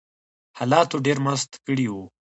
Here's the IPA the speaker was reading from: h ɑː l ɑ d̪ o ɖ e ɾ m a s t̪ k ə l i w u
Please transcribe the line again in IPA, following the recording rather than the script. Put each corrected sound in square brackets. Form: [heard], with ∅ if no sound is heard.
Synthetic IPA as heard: h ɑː l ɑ [t̪] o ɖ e ɾ m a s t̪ k ə [ɽ] i w u